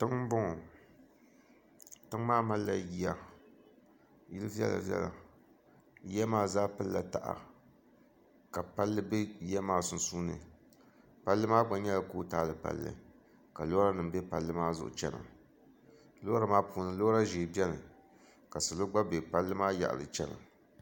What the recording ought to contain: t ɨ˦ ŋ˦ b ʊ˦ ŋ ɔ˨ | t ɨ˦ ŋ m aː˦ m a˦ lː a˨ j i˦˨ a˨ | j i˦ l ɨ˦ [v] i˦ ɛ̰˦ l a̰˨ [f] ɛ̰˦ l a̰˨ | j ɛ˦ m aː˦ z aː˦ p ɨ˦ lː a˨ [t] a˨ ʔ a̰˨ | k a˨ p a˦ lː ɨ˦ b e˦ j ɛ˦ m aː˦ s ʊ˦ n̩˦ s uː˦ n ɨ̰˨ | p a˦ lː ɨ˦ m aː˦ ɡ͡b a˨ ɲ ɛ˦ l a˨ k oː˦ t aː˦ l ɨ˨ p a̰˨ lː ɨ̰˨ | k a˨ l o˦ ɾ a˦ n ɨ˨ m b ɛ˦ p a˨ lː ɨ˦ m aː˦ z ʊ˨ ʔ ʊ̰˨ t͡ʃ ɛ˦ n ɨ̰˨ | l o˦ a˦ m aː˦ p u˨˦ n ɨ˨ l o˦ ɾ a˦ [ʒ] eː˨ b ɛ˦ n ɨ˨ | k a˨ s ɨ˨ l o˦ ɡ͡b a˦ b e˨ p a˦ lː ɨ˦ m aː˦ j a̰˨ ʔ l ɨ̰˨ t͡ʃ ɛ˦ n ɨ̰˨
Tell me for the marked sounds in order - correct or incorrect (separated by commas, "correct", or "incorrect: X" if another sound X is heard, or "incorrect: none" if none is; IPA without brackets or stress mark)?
correct, incorrect: v, correct, correct